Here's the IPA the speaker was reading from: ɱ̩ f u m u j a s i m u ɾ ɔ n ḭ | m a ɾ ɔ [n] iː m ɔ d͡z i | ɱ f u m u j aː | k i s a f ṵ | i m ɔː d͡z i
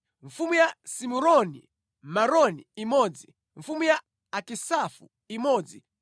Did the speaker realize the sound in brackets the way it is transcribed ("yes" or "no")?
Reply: yes